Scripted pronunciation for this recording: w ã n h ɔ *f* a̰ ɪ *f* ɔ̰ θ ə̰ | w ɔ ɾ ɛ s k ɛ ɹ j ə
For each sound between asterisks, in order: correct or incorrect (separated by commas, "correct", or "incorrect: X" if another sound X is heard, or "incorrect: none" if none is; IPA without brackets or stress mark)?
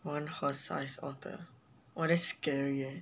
incorrect: s, incorrect: s